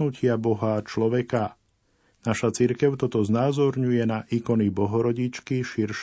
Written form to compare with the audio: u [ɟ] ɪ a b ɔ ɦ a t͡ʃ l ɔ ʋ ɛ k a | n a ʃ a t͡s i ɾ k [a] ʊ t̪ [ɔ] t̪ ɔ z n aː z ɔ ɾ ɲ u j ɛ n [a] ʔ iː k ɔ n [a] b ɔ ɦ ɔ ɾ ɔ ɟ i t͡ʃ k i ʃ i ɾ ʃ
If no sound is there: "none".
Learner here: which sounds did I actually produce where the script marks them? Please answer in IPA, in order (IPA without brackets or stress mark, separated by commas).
c, ɛ, ɔ, a, i